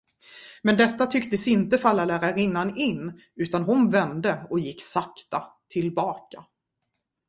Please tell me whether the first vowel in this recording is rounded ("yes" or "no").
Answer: no